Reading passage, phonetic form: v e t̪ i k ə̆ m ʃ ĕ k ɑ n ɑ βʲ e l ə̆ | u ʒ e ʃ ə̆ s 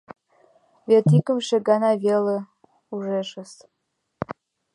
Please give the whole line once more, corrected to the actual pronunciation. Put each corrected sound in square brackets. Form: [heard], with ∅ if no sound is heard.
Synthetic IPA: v e t̪ i k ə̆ m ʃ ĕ [ɡ] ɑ n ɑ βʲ e l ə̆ | u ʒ e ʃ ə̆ s